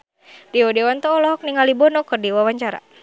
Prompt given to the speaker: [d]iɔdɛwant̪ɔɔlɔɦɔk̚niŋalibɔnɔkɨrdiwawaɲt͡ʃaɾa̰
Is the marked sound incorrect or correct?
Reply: correct